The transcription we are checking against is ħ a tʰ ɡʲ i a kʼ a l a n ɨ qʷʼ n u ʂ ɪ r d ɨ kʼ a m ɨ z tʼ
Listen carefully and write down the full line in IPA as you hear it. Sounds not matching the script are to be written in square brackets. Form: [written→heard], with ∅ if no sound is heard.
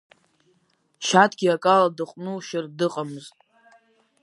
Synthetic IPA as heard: [ħ→ʃ] a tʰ ɡʲ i a kʼ a l a [n→d] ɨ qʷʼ n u [ʂ→ʃ] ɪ r d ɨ [kʼ→qʼ] a m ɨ z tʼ